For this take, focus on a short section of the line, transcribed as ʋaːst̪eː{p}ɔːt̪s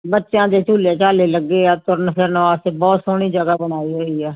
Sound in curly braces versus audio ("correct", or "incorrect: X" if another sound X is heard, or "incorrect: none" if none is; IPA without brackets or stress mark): incorrect: b